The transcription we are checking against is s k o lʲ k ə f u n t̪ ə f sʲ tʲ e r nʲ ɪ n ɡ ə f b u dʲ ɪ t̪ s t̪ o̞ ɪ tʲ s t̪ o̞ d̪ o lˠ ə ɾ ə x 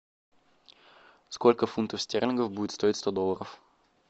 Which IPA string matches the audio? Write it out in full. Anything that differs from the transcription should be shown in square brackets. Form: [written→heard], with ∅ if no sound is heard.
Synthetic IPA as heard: s k o lʲ k ə f u n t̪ ə f sʲ tʲ e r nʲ ɪ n ɡ ə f b u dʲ ɪ t̪ s t̪ o̞ ɪ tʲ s t̪ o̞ d̪ o lˠ ə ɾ ə [x→f]